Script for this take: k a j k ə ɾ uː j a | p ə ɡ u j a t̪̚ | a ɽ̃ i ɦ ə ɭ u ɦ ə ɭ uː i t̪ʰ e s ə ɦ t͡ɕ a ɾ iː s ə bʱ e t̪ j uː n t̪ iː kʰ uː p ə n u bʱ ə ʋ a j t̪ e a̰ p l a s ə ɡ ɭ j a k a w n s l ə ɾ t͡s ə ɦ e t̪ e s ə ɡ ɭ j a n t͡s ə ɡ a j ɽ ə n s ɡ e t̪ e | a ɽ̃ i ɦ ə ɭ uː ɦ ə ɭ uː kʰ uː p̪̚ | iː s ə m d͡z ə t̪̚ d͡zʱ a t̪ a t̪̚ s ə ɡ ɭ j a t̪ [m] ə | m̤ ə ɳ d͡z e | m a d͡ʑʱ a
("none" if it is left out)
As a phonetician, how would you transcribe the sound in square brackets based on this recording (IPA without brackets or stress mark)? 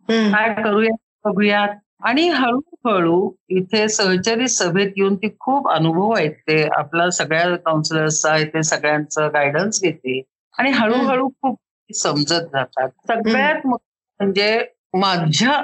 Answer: m